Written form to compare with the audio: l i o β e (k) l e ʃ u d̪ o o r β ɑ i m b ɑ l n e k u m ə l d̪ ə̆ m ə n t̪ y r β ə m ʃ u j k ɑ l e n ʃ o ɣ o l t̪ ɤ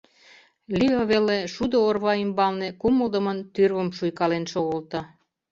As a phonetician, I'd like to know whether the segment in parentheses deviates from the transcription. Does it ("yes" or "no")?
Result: yes